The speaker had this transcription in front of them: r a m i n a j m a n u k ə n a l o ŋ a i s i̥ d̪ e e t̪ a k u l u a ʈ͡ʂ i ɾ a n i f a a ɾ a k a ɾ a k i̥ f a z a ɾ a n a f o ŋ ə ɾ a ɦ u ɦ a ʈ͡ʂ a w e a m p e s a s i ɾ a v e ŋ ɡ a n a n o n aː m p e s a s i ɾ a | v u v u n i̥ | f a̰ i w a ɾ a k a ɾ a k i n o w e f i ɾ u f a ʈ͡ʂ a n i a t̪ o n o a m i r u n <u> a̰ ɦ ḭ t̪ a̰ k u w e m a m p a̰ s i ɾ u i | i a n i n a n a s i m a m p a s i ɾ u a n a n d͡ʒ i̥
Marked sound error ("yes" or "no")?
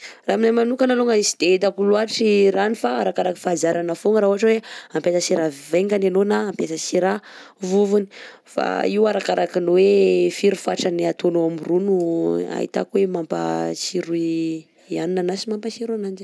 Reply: no